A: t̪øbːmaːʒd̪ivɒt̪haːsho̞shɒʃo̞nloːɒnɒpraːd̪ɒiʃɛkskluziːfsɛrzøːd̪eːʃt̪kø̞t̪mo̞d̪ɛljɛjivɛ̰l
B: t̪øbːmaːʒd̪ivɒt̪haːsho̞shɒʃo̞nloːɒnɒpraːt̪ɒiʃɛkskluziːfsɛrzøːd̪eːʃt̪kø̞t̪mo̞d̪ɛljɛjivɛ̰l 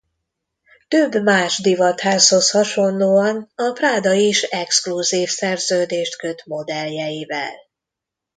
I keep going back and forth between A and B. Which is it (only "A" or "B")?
A